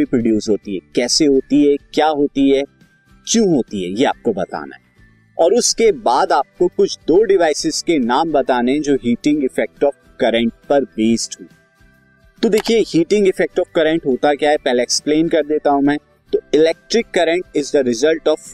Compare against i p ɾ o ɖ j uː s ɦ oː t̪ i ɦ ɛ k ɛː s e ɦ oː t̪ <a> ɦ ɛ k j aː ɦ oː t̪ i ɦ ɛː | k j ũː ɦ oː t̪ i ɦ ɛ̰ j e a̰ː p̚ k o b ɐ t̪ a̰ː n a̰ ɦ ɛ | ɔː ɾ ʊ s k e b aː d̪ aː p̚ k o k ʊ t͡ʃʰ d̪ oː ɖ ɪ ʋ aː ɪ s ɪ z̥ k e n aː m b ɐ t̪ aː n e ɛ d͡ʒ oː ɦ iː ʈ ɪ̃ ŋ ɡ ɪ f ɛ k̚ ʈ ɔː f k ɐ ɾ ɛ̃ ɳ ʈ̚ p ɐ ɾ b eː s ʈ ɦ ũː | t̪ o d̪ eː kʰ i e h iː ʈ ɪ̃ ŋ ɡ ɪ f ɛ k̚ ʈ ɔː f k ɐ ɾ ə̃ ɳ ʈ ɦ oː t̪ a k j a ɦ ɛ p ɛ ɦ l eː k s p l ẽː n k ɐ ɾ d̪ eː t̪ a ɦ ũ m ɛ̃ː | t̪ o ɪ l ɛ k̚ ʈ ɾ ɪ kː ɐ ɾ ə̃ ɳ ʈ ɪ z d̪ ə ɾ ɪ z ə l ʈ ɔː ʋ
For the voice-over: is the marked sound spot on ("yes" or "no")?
no